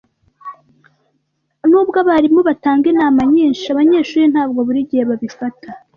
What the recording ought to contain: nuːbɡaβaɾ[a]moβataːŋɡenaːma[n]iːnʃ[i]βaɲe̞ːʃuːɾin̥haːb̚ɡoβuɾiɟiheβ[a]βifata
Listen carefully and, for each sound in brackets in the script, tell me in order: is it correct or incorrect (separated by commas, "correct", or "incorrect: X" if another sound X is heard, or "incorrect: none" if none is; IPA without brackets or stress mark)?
incorrect: i, incorrect: ɲ, incorrect: a, correct